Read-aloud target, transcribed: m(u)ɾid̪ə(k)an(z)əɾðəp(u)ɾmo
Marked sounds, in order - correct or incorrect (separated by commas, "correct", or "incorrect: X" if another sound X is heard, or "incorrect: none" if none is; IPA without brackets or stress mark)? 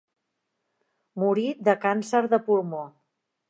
correct, correct, incorrect: s, correct